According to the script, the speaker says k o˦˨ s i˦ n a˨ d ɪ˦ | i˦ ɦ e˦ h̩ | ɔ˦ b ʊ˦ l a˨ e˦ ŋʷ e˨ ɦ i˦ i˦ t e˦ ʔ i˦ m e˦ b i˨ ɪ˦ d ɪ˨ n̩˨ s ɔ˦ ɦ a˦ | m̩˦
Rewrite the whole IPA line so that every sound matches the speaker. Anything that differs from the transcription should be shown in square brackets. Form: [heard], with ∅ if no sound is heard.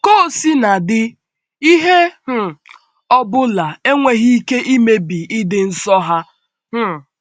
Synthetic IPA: k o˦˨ s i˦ n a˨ d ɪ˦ | i˦ ɦ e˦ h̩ | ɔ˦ b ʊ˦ l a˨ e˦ ŋʷ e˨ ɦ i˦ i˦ [k] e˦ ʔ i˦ m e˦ b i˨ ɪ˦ d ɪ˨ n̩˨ s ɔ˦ ɦ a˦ | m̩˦